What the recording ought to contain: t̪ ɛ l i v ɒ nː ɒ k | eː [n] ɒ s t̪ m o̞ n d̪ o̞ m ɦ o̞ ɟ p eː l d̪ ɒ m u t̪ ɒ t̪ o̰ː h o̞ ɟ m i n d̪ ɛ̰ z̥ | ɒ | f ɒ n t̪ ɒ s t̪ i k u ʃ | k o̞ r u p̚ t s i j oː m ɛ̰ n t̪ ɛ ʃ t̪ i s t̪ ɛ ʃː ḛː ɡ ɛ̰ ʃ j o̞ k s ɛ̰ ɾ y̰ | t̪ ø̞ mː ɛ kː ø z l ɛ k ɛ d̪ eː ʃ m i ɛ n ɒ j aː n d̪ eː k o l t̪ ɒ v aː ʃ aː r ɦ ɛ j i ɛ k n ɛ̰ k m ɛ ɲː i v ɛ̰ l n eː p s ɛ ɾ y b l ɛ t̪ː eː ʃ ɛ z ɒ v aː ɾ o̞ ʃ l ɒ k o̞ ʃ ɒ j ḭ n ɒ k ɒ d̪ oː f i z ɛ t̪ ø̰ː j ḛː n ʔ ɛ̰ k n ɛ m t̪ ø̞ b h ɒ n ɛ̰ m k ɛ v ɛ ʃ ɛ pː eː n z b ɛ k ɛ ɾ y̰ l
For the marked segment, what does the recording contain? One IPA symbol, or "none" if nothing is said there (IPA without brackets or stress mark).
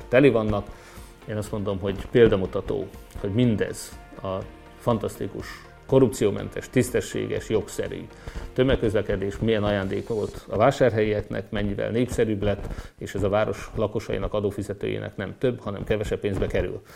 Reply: n